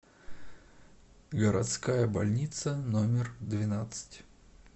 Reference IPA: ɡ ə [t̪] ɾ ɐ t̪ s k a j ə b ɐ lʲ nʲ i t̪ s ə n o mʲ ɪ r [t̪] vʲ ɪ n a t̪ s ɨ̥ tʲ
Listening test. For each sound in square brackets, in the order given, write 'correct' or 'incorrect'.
incorrect, incorrect

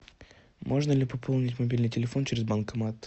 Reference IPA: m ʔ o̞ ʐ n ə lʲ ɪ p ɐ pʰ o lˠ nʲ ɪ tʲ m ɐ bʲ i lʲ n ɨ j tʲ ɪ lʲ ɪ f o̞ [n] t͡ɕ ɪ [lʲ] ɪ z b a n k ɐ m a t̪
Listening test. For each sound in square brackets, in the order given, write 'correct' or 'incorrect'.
correct, incorrect

